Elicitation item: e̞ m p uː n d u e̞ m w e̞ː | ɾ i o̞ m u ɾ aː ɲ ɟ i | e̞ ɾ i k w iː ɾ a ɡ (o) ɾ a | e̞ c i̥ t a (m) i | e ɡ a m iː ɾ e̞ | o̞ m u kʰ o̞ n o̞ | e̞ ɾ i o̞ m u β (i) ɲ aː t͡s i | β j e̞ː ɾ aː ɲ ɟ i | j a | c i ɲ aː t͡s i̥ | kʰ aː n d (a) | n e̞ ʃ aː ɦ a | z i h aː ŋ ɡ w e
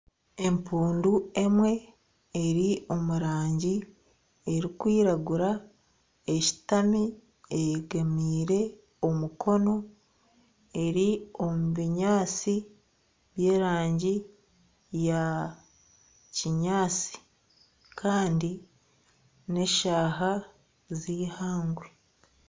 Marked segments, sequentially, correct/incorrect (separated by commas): incorrect, correct, correct, incorrect